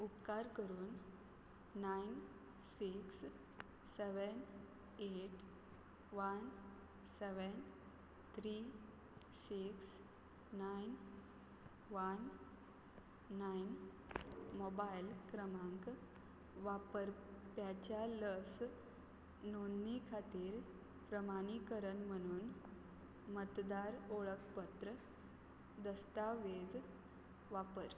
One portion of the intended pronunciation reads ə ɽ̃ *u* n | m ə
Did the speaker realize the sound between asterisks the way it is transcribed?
no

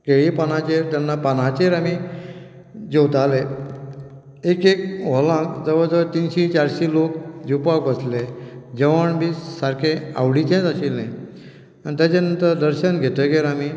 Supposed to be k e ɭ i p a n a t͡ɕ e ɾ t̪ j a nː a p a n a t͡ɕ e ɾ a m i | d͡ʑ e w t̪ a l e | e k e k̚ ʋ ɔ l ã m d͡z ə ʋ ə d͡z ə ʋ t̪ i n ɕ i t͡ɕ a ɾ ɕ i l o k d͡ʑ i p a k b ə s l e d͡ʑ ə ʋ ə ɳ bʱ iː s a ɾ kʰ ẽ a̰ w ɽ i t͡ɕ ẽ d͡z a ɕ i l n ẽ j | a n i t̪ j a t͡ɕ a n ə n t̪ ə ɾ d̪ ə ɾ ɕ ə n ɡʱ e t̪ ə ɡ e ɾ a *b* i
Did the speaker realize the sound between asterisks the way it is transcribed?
no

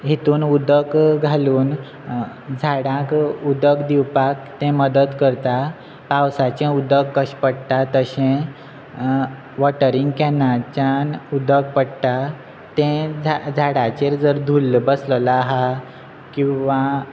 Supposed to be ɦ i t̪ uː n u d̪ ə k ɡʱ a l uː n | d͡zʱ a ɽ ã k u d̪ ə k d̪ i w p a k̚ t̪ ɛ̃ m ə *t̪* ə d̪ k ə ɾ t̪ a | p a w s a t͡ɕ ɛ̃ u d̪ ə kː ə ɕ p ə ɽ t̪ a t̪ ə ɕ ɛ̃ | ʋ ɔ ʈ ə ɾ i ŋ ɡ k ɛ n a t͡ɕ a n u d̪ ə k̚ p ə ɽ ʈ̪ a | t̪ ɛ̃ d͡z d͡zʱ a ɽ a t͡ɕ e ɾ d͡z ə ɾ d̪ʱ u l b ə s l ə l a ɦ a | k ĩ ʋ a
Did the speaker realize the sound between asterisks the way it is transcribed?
no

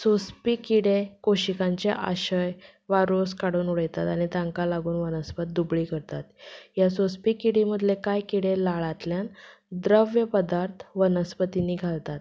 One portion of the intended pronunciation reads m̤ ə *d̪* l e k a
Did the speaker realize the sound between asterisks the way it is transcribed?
yes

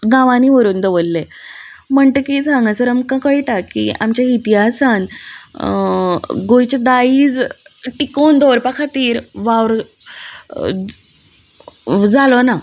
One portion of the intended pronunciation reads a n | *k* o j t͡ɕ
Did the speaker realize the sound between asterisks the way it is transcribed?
no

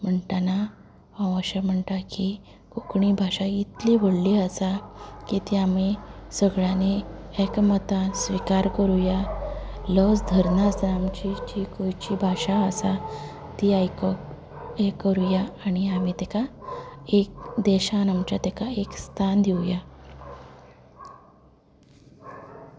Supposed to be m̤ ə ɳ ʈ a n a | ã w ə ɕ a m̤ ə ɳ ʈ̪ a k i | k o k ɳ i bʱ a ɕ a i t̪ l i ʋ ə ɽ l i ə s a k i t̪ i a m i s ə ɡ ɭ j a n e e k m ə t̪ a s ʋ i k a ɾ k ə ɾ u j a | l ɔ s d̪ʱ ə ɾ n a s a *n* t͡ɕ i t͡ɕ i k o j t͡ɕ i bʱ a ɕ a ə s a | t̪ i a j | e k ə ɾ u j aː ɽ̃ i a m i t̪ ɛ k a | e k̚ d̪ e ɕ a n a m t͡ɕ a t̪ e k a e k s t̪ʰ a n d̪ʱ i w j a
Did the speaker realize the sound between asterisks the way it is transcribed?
no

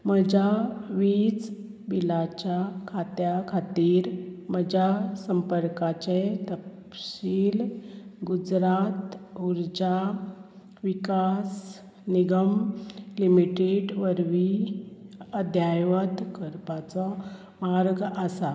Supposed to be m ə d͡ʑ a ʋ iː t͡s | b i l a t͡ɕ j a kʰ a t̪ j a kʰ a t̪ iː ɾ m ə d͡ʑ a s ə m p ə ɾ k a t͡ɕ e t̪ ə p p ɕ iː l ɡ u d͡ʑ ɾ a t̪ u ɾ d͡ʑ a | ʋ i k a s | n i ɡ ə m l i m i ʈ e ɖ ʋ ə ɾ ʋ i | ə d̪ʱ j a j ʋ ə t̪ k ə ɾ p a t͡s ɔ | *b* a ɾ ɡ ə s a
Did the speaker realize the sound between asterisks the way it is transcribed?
no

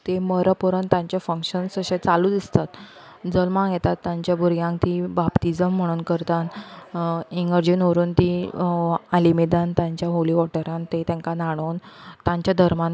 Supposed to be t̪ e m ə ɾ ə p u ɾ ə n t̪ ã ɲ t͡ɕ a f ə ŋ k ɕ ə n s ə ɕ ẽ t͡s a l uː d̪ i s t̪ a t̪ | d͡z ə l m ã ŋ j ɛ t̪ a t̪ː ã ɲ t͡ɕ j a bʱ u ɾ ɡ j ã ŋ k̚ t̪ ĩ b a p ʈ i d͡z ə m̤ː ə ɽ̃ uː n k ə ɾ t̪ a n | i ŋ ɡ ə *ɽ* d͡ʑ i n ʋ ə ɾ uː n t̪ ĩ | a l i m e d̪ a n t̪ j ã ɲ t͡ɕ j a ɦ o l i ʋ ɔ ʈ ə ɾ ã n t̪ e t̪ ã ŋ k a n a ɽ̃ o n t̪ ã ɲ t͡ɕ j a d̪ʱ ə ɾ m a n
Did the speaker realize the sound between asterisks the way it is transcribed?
no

